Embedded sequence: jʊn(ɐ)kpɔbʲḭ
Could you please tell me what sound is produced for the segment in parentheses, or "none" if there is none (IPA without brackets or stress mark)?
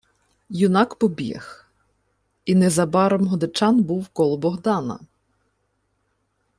ɑ